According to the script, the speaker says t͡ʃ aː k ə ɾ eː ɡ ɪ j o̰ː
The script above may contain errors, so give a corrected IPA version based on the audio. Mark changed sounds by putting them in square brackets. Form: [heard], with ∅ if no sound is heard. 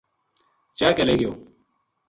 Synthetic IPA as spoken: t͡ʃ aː k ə [l] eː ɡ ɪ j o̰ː